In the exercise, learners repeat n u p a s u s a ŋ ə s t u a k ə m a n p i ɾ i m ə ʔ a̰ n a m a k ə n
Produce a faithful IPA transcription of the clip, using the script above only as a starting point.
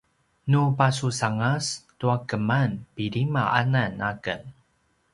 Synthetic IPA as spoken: n u p a s u s a ŋ a s t u a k ə m a n p i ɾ i m a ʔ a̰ n a n a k ə n